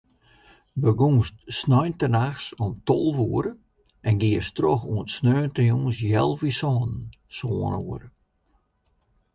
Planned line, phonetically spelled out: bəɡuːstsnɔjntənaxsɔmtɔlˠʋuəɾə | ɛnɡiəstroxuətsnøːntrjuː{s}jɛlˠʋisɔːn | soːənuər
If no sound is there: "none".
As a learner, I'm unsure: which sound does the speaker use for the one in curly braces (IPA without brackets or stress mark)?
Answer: s